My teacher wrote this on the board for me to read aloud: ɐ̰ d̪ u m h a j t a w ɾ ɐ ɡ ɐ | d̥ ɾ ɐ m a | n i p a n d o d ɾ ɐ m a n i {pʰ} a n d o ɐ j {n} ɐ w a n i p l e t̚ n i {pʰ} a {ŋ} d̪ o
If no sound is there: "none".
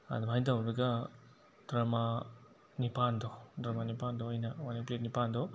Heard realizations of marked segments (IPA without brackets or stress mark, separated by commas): p, n, p, n